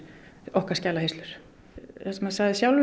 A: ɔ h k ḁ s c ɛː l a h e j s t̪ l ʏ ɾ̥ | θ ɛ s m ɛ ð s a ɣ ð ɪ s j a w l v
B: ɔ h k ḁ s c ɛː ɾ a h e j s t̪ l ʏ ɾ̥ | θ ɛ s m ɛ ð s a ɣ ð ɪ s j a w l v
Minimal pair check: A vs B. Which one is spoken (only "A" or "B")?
A